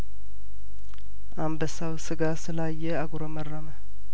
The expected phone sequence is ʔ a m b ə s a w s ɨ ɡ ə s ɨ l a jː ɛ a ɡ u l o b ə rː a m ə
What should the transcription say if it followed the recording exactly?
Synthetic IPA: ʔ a m b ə s a w s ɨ ɡ a s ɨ l a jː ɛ a ɡ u ɾ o m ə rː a m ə